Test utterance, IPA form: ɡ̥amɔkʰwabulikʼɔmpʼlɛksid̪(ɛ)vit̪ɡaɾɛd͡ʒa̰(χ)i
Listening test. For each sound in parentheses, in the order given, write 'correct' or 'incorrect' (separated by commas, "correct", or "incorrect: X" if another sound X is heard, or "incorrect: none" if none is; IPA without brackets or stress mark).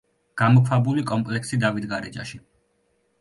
incorrect: a, incorrect: ʃ